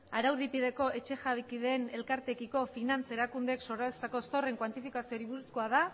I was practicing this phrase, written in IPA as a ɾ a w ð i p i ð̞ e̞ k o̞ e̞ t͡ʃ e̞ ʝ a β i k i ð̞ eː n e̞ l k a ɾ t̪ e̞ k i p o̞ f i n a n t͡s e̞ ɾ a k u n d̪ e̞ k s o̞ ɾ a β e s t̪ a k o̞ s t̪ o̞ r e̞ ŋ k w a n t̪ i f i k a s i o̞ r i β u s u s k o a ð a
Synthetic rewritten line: a ɾ a w ð i p i ð̞ e̞ k o̞ e̞ t͡ʃ e̞ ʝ a β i k i ð̞ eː n e̞ l k a ɾ t̪ e̞ k i k o̞ f i n a n t͡s e̞ ɾ a k u n d̪ e̞ k s o̞ ɾ a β e s t̪ a k o̞ s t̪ o̞ r e̞ ŋ k w a n t̪ i f i k a s i o̞ ɾ i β u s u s k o a ð a